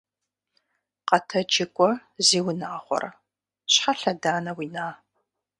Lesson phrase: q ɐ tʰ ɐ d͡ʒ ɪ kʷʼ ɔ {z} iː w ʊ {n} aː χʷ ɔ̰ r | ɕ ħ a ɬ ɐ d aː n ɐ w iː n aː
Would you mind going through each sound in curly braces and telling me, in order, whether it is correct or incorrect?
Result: correct, correct

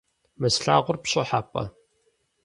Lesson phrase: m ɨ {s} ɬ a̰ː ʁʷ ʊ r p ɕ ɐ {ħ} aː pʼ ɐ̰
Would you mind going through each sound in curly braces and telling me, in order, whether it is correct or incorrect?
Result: correct, correct

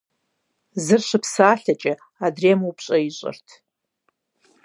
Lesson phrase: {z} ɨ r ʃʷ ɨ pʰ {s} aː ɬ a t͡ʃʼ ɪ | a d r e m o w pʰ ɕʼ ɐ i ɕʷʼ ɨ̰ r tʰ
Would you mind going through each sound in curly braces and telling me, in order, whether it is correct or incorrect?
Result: correct, correct

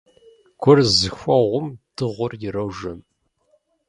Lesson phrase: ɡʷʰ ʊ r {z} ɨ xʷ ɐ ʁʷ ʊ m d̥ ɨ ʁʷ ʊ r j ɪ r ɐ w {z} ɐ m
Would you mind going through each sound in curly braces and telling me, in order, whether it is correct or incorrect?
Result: correct, incorrect: ʒ

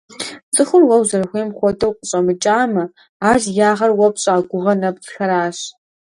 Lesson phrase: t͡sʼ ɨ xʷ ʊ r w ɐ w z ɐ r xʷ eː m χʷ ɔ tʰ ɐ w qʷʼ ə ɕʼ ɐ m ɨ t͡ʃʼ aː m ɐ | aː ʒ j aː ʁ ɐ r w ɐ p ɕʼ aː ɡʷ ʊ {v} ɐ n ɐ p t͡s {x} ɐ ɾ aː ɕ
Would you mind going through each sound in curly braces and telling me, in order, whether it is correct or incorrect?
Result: incorrect: ʁ, correct

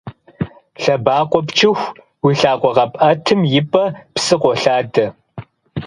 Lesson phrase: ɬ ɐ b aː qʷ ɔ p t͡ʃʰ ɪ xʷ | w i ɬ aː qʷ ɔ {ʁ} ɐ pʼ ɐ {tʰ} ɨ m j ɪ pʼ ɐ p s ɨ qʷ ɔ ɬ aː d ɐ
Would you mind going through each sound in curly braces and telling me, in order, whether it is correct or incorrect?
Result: correct, correct

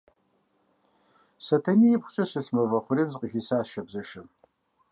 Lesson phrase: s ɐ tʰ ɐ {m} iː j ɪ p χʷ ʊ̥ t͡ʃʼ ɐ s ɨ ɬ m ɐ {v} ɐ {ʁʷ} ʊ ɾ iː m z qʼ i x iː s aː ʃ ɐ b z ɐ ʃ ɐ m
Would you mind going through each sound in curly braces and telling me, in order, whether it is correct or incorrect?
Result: incorrect: n, correct, incorrect: χʷ

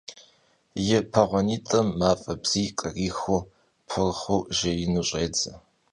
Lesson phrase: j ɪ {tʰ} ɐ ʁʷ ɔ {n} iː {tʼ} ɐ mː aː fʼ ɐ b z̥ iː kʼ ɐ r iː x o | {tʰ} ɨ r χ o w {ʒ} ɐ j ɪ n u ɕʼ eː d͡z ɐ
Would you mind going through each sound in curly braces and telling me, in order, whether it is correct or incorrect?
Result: incorrect: pʰ, correct, correct, incorrect: pʰ, correct

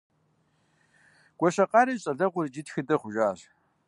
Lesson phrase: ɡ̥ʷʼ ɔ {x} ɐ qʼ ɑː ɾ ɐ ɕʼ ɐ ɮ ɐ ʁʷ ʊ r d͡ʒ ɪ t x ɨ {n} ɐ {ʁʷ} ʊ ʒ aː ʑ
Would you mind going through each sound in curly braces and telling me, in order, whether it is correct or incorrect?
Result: incorrect: ɕ, incorrect: d, incorrect: χʷ

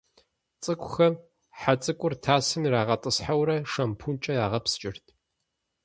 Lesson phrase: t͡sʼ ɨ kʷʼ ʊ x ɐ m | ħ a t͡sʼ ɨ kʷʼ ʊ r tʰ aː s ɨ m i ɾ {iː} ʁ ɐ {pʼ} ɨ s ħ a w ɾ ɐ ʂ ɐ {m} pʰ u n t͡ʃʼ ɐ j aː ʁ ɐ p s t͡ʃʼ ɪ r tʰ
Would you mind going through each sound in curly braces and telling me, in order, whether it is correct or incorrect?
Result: incorrect: aː, incorrect: tʼ, correct

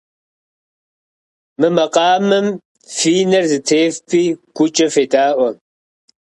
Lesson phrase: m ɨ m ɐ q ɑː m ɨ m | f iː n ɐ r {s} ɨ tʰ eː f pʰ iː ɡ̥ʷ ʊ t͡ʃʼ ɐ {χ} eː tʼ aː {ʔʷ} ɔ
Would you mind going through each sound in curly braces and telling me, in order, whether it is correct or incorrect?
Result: incorrect: z, incorrect: f, correct

